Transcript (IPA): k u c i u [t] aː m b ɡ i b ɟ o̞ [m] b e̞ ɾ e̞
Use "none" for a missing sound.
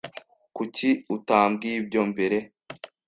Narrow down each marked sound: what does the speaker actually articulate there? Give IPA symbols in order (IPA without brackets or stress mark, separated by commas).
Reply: t, m